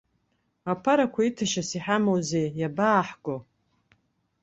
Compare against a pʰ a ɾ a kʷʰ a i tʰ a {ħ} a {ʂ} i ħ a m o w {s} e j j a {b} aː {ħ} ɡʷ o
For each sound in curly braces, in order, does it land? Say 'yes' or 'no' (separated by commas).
no, no, no, yes, yes